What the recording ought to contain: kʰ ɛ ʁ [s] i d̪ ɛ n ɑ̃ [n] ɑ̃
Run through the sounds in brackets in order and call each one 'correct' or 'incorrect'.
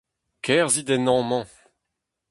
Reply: incorrect: z, incorrect: m

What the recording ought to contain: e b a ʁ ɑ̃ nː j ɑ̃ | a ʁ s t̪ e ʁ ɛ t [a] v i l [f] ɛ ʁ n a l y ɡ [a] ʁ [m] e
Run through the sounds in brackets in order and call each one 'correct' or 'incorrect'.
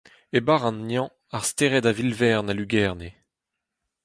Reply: correct, incorrect: v, incorrect: ɛ, incorrect: n

